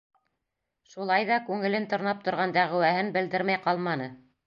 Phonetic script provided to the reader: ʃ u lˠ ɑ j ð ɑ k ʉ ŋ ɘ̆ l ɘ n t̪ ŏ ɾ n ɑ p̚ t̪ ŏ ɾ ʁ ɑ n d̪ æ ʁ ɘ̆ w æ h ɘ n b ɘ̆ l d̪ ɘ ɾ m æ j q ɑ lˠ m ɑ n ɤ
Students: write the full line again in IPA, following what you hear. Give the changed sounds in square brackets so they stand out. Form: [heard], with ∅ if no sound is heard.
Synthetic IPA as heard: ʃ u lˠ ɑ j ð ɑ k ʉ ŋ ɘ̆ l ɘ n t̪ ŏ ɾ n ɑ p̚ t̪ ŏ ɾ ʁ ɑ n d̪ æ ʁ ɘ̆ w æ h ɘ n b ɘ̆ l d̪ ɘ ɾ m æ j q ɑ lˠ m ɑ n ɤ